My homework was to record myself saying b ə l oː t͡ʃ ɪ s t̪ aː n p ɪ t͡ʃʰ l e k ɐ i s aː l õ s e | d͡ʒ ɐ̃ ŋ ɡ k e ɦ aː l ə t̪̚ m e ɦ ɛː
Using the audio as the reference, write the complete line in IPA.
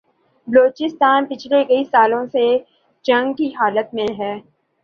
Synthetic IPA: b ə l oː t͡ʃ ɪ s t̪ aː n p ɪ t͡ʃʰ l e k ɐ i s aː l õ s e | d͡ʒ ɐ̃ ŋ ɡ k i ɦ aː l ə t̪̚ m ẽ ɦ ɛː